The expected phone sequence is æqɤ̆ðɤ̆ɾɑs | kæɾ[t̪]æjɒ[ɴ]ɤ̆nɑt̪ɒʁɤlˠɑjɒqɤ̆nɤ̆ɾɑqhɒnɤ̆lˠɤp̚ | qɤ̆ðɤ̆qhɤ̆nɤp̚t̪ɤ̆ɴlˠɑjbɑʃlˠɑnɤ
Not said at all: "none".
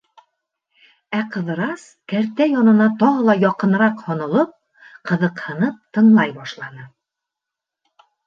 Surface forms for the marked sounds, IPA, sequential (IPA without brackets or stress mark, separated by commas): t̪, n